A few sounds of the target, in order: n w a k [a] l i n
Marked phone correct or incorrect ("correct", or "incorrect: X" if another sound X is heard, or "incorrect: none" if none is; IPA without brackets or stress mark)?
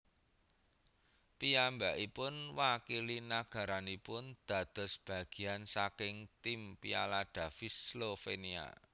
incorrect: i